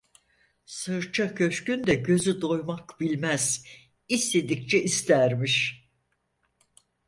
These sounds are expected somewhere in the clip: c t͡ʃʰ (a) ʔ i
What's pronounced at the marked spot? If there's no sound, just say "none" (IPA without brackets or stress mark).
ɛ